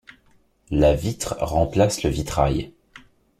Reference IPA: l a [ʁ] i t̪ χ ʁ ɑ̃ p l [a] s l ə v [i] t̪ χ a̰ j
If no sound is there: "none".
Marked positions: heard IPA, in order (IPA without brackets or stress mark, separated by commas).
v, a, i